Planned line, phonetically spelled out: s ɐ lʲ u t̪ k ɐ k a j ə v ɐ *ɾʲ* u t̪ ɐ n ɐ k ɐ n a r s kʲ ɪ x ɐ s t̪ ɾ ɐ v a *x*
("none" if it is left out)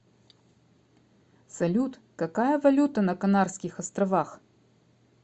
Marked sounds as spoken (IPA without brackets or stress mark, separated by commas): lʲ, x